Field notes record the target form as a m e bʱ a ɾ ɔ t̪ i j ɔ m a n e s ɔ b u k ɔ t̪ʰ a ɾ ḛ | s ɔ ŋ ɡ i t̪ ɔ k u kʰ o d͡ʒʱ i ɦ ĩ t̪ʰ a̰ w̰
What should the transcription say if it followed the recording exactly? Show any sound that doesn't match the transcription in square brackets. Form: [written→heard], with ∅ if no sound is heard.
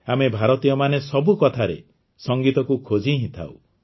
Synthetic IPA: a m e bʱ a ɾ ɔ t̪ i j ɔ m a n e s ɔ b u k ɔ t̪ʰ a ɾ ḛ | s ɔ ŋ ɡ i t̪ ɔ k u kʰ o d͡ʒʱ i ɦ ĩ t̪ʰ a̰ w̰